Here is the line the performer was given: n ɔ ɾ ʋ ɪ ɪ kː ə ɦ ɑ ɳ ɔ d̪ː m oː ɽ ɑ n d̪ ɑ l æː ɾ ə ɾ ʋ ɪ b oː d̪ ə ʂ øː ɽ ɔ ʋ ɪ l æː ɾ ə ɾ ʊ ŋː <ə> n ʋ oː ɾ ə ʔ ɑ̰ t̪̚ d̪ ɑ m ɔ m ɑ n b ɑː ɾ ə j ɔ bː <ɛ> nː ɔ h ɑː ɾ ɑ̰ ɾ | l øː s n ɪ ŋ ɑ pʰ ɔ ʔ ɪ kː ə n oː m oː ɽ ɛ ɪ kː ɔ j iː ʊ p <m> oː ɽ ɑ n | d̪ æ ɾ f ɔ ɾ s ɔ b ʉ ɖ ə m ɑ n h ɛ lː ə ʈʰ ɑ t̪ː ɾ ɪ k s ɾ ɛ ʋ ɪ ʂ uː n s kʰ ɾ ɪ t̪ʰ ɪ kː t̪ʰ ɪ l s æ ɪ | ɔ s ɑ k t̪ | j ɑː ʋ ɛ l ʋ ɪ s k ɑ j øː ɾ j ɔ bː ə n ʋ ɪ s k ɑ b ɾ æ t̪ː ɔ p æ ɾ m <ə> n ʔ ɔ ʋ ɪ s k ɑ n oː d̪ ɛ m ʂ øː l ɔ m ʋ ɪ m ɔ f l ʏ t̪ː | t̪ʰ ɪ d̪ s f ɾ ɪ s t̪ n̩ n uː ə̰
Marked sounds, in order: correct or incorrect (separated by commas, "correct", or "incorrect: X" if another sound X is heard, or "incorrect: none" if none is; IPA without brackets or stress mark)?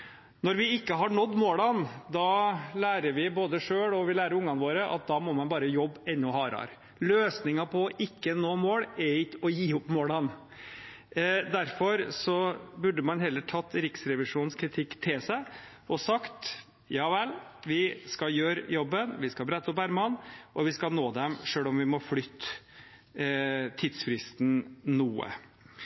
incorrect: ɑ, correct, correct, incorrect: ɑ